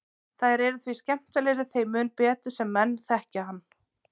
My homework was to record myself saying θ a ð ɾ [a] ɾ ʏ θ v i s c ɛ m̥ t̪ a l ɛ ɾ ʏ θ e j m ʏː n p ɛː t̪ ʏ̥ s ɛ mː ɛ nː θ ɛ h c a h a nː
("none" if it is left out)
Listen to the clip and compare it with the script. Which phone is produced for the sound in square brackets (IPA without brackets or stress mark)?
ɛ